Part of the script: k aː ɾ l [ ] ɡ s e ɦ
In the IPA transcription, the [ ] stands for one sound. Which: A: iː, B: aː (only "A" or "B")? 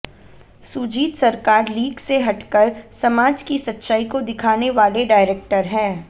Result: A